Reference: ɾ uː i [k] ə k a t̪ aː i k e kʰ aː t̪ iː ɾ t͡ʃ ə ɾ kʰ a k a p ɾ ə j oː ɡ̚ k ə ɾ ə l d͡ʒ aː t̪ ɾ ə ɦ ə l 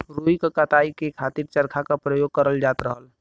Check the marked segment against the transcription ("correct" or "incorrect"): correct